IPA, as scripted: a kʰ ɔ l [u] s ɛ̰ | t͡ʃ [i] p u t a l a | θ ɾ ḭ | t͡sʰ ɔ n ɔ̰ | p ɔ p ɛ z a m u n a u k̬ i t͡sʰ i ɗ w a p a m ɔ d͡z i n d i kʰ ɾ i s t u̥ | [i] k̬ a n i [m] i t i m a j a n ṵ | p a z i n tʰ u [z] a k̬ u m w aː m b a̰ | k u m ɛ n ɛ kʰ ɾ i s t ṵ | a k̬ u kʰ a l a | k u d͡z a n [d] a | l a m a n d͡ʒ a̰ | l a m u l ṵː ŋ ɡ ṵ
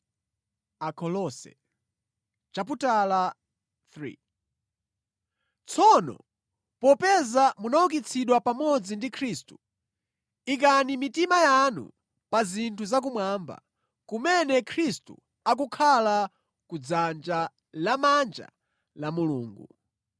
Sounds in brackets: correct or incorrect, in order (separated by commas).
incorrect, incorrect, correct, correct, correct, incorrect